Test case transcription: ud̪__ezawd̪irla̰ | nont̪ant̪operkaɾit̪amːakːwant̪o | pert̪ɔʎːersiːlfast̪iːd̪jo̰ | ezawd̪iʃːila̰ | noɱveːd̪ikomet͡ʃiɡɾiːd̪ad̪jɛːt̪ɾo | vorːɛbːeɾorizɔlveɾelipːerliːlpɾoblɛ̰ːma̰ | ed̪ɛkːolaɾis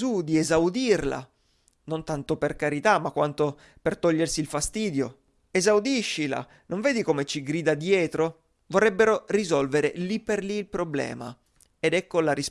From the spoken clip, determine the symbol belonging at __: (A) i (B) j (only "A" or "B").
A